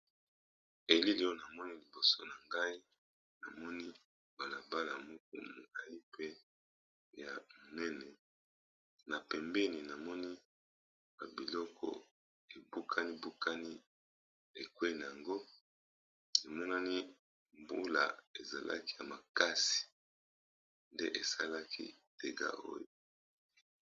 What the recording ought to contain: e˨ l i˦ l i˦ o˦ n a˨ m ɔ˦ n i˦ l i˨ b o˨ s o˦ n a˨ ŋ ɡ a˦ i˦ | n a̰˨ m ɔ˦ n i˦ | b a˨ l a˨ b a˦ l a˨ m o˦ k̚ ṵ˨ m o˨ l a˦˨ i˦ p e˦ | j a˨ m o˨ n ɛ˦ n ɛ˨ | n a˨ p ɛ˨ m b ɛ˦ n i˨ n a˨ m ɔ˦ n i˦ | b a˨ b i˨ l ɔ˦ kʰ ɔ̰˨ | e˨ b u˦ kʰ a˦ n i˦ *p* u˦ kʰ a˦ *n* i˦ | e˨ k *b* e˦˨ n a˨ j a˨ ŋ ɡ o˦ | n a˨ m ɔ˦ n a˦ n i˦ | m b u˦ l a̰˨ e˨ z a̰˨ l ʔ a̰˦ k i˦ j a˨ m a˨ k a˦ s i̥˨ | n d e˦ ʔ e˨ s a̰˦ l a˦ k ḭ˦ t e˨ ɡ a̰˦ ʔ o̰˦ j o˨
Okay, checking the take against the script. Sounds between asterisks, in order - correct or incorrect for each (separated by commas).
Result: incorrect, correct, incorrect